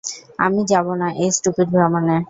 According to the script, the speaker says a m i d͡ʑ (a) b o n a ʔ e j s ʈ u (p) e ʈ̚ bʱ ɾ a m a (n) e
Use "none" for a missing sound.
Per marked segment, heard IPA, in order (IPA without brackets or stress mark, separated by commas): a, p, n